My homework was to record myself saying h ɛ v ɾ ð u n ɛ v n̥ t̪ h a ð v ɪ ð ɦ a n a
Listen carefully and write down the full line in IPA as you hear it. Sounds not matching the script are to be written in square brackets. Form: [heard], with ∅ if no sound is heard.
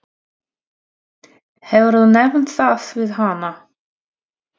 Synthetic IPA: h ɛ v ɾ ð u n ɛ v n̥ t̪ [θ] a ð v ɪ ð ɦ a n a